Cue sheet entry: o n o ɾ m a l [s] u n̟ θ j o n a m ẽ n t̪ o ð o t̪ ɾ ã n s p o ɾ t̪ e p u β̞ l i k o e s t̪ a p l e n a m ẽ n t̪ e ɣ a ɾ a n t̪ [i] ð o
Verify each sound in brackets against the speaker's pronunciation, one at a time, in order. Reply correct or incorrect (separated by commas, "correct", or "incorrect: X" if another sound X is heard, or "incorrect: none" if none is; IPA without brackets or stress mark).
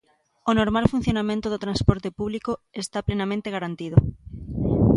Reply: incorrect: f, correct